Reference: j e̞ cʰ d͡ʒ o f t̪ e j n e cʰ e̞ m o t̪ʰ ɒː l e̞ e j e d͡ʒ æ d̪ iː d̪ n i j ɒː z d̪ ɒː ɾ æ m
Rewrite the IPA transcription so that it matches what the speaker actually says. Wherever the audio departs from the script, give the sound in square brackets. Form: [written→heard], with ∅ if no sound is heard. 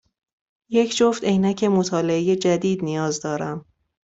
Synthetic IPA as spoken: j e̞ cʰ d͡ʒ o f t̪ e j n [e→æ] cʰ e̞ m o t̪ʰ ɒː l e̞ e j e d͡ʒ æ d̪ iː d̪ n i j ɒː z d̪ ɒː ɾ æ m